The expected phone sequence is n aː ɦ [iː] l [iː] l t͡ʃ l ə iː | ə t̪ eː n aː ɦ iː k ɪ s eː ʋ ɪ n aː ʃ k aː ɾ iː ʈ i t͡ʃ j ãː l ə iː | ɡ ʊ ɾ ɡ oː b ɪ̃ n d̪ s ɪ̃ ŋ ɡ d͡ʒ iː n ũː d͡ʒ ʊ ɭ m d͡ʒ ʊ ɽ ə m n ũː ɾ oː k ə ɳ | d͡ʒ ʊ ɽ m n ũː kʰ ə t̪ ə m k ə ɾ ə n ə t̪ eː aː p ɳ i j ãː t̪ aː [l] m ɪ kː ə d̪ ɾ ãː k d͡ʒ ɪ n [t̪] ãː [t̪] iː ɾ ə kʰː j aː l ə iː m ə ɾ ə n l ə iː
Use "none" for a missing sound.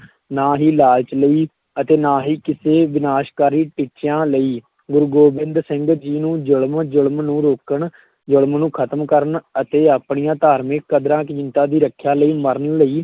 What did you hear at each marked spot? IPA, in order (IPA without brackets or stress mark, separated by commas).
iː, aː, ɾ, t̪, d̪